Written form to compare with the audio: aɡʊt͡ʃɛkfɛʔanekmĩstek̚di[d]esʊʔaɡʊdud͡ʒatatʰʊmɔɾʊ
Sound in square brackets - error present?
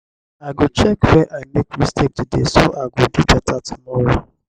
no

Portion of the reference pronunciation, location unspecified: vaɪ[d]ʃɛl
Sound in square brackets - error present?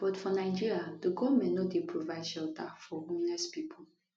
no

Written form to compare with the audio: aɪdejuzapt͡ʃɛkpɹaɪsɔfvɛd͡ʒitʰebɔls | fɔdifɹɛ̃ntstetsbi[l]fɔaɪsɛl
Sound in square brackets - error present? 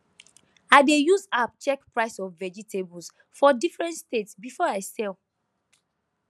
yes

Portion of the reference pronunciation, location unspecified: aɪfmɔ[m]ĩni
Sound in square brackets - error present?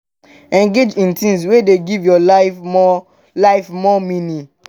no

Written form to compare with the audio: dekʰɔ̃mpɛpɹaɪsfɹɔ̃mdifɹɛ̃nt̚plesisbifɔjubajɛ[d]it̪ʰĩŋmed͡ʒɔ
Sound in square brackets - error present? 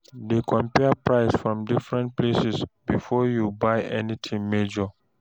yes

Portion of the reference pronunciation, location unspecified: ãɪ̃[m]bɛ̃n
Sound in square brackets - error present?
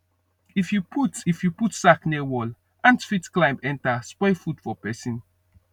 no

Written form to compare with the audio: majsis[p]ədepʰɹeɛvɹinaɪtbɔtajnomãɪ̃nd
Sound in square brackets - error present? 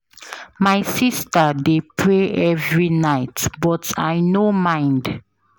yes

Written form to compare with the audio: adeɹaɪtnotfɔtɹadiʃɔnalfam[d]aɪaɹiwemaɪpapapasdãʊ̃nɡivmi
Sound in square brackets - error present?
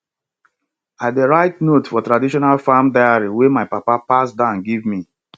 no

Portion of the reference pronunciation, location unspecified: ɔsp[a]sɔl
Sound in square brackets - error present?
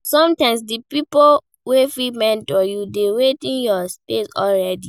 yes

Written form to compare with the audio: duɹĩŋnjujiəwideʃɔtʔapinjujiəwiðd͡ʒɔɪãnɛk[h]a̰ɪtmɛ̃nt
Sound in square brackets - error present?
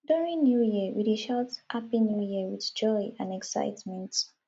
yes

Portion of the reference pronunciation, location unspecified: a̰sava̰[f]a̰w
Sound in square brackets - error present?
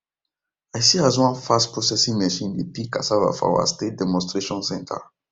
no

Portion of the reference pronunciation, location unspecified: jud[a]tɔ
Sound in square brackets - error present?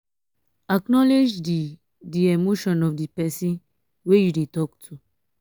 yes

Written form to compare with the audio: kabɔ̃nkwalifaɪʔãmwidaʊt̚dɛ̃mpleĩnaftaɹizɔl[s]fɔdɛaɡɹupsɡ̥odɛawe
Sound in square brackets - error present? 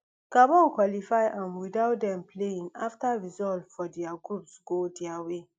yes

